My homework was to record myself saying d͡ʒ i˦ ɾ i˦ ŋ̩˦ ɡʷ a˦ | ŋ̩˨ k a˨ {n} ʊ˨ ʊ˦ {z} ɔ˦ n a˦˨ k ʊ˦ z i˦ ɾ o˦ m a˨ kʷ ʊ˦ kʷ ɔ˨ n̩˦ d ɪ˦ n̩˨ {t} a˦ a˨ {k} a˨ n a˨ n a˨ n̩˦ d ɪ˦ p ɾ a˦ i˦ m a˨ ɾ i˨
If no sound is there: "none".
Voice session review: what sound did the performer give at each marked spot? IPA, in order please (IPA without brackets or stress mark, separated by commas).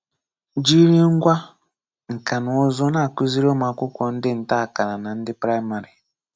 n, z, t, k